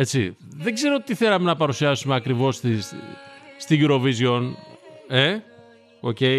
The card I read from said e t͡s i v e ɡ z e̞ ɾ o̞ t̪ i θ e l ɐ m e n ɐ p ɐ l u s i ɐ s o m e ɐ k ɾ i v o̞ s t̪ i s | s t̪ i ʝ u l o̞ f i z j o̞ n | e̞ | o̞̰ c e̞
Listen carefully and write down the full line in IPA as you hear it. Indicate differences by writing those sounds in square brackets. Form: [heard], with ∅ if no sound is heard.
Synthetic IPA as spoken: e t͡s i [ð] e ɡ z e̞ ɾ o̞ t̪ i θ e l ɐ m e n ɐ p ɐ [ɾ] u s i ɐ s [u] m e ɐ k ɾ i v o̞ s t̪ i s | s t̪ i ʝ u [ɾ] o̞ [v] i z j o̞ n | e̞ | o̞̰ c e̞